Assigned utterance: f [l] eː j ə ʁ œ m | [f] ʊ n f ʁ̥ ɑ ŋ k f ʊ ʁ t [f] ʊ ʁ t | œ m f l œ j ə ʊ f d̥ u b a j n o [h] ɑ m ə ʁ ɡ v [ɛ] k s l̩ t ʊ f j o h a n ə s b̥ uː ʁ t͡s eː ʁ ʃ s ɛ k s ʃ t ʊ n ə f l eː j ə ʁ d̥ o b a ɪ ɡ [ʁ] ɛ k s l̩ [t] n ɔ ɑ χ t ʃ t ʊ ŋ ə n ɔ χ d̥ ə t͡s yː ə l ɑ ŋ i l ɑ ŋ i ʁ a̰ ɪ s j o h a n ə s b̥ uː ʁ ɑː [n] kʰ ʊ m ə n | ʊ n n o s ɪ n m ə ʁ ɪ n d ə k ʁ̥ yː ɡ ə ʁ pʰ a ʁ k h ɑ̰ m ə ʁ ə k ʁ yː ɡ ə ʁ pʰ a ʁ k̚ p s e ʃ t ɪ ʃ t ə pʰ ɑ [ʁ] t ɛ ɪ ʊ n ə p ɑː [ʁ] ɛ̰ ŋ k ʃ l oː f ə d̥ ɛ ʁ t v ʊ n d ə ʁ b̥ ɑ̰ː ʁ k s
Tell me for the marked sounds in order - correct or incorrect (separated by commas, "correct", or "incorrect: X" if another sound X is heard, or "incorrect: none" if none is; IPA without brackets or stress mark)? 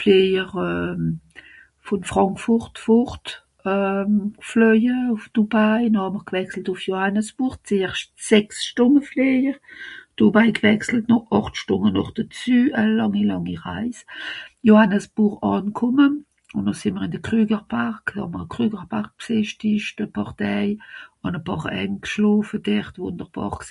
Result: correct, correct, correct, correct, correct, incorrect: v, correct, correct, correct, correct